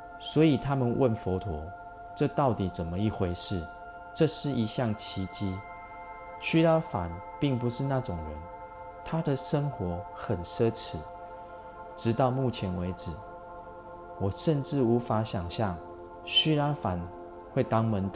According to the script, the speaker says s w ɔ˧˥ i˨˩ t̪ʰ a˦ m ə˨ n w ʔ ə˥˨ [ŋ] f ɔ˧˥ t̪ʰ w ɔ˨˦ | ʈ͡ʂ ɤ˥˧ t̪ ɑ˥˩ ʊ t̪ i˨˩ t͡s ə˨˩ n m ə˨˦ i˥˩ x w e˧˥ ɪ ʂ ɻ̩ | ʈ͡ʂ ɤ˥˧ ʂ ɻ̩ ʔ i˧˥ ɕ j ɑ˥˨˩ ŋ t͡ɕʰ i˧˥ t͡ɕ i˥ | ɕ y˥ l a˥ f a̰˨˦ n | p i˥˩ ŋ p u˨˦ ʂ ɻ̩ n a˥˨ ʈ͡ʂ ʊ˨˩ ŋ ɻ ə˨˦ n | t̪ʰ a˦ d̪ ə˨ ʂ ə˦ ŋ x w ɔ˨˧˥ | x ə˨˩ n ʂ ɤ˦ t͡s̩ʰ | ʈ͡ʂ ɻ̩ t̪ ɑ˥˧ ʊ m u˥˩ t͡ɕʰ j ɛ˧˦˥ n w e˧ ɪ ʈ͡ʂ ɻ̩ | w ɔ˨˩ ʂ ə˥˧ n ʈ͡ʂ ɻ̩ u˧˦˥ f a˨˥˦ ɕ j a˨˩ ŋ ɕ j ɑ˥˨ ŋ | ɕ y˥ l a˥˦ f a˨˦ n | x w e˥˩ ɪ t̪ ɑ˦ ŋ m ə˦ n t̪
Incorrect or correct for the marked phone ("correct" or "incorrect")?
incorrect